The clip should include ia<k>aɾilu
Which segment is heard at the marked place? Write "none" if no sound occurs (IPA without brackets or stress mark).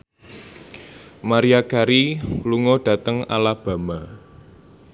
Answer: k